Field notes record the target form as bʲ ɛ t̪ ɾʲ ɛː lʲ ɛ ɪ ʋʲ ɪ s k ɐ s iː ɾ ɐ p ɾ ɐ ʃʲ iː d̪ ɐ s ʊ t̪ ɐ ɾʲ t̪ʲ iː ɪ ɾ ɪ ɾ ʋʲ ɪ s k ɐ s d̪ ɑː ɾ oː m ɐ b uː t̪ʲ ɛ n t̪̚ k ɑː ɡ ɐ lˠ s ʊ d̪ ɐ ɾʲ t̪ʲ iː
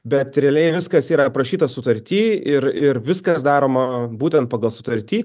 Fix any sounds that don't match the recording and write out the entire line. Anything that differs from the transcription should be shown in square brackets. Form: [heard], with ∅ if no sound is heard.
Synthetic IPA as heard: bʲ ɛ t̪ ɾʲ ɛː lʲ ɛ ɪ ʋʲ ɪ s k ɐ s iː ɾ ɐ p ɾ ɐ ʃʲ iː [t̪] ɐ s ʊ t̪ ɐ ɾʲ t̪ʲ iː ɪ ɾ ɪ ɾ ʋʲ ɪ s k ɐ s d̪ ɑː ɾ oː m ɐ b uː t̪ʲ ɛ n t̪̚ [p] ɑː ɡ ɐ lˠ s ʊ [t̪] ɐ ɾʲ t̪ʲ iː